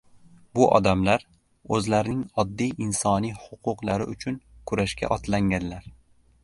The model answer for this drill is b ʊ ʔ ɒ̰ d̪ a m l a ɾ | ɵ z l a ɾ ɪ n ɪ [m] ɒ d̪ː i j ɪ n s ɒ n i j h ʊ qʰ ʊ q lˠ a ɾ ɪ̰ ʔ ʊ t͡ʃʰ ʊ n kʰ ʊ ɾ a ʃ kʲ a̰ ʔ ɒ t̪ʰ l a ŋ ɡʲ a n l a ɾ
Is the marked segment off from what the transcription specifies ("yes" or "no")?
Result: yes